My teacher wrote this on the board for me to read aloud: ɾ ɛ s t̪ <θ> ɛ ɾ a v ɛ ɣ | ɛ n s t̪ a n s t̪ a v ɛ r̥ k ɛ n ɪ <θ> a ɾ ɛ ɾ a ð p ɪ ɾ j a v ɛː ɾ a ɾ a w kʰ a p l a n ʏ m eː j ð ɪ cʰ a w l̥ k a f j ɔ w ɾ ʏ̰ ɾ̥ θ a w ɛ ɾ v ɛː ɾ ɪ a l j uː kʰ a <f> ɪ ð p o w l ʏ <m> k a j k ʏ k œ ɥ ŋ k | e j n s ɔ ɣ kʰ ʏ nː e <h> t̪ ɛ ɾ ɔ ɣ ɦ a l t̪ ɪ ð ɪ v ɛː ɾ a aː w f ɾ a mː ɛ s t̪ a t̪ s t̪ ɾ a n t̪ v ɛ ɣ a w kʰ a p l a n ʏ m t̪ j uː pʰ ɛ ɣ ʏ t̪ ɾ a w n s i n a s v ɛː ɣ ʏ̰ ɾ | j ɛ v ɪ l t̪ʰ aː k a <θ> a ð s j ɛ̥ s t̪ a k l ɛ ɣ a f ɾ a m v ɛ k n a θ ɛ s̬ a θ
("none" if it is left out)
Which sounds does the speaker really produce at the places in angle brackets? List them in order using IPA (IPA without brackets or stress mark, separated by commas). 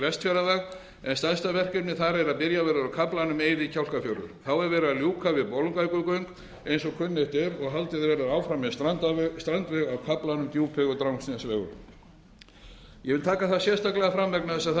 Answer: f, θ, v, ŋ, h, θ